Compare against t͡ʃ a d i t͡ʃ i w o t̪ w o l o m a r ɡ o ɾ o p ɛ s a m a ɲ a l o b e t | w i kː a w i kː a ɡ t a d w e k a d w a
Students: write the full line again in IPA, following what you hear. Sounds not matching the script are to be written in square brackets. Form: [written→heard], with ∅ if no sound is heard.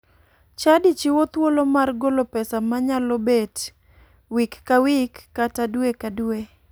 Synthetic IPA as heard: t͡ʃ a d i t͡ʃ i w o t̪ w o l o m a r ɡ o [ɾ→l] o p ɛ s a m a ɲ a l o b e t | w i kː a w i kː a [ɡ→∅] t a d w e k a d w [a→e]